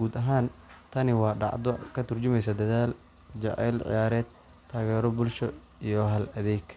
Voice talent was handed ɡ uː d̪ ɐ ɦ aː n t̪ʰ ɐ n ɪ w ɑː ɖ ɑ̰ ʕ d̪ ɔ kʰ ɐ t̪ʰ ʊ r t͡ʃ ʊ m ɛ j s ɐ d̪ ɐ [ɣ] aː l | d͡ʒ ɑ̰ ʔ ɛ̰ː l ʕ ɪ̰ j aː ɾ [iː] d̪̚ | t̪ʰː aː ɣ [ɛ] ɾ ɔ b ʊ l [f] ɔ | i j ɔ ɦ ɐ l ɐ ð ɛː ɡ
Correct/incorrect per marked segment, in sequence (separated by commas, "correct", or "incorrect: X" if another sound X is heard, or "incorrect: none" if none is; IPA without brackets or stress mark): incorrect: ð, incorrect: ɛː, incorrect: ɛː, incorrect: ʃ